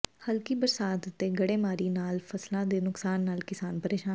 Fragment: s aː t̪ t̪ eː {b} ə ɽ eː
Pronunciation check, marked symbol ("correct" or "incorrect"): incorrect